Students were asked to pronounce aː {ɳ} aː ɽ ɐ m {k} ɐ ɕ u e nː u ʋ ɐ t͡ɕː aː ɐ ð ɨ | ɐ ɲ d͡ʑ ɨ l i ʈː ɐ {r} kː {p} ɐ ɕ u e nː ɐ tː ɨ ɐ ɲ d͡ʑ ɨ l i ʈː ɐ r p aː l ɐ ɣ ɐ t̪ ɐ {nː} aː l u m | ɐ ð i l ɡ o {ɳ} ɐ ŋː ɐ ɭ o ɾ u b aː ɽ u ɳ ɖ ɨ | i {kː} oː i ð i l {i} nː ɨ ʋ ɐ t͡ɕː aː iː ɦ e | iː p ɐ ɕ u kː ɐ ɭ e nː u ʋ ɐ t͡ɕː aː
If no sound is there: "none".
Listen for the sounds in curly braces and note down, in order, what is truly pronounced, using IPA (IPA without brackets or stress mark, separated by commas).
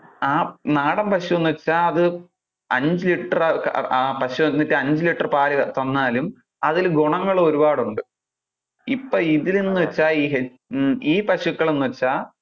n, p, r, p, nː, ɳ, pː, e